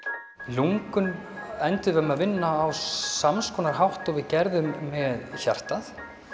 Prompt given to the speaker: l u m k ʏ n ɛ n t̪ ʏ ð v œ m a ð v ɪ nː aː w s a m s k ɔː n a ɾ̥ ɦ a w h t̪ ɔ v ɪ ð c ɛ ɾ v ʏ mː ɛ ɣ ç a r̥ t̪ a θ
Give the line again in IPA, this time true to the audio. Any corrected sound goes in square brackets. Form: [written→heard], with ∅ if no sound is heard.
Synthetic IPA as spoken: l u [m→ŋ] k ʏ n ɛ n t̪ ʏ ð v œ m a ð v ɪ nː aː w s a m s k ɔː n a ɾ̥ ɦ a w h t̪ ɔ v ɪ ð c ɛ ɾ [v→ð] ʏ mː ɛ [ɣ→ð] ç a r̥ t̪ a θ